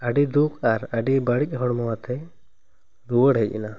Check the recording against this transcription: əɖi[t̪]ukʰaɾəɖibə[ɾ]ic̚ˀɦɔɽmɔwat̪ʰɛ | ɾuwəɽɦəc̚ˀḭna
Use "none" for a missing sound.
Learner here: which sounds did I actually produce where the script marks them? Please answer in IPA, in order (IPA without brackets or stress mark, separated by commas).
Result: d̪, ɽ